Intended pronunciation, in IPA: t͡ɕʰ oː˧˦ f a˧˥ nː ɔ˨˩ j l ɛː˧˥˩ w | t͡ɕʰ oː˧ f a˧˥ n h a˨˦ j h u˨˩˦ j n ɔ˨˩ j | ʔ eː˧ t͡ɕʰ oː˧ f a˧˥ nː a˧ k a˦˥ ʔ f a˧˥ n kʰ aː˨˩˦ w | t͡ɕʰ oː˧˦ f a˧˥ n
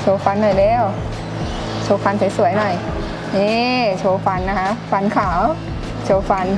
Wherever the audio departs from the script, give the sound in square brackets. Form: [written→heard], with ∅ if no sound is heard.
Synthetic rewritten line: t͡ɕʰ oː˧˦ f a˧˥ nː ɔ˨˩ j l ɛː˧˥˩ w | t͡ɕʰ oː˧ f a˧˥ n [h→s] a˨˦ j [h→s] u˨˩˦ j n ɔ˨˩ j | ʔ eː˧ t͡ɕʰ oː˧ f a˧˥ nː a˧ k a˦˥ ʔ f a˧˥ n kʰ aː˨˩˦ w | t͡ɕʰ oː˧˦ f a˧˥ n